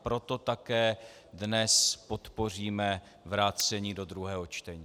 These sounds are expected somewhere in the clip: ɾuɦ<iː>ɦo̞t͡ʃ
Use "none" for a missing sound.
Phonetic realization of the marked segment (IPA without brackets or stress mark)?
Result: ɛː